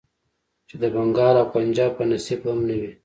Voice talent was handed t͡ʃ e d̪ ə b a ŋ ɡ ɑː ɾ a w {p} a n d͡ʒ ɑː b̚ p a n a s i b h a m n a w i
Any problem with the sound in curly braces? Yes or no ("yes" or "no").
no